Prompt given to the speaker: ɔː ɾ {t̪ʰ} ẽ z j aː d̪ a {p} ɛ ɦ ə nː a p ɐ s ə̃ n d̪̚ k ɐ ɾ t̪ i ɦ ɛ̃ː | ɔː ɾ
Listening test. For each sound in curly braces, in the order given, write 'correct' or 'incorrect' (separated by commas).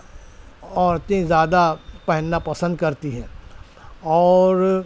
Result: incorrect, correct